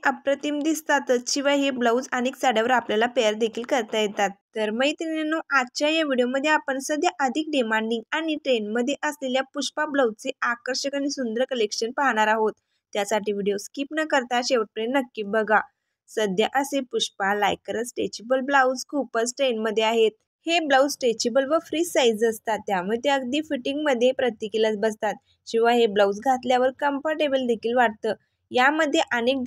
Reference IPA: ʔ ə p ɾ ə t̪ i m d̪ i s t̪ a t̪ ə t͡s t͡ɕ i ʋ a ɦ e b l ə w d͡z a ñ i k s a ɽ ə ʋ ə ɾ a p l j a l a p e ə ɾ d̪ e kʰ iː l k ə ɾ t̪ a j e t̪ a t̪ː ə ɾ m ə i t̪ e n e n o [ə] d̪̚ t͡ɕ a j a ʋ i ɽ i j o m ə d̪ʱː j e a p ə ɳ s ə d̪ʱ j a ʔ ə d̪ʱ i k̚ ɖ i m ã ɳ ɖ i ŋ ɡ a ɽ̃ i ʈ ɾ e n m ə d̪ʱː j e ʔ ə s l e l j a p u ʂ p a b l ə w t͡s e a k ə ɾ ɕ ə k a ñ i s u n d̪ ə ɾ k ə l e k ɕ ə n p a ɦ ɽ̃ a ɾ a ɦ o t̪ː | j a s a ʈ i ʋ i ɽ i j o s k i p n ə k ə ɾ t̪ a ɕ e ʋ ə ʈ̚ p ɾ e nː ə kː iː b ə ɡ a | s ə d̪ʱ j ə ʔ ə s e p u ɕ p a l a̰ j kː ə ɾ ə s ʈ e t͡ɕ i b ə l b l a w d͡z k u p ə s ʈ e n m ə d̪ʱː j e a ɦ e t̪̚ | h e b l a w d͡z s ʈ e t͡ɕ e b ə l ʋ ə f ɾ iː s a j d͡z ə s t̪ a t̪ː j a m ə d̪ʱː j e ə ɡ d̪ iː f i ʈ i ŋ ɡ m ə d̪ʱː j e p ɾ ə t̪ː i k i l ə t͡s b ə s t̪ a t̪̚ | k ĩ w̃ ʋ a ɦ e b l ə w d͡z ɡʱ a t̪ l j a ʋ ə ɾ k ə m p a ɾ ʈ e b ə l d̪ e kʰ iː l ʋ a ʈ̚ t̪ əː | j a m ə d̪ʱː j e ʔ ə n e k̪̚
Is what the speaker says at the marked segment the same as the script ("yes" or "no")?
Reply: no